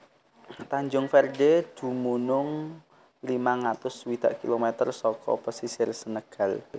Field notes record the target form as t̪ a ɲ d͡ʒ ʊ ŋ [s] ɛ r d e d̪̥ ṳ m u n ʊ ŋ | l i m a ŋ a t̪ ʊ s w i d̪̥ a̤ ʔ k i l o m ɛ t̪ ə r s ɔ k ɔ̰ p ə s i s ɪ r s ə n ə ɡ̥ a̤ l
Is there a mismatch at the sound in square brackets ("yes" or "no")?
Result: yes